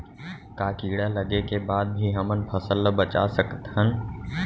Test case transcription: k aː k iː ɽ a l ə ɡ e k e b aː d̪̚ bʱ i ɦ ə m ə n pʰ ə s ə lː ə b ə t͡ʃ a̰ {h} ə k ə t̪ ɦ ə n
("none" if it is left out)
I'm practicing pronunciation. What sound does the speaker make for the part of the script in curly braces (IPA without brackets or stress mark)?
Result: s